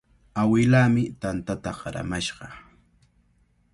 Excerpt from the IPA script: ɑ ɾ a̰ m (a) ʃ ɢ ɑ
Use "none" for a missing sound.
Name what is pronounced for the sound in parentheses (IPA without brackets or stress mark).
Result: a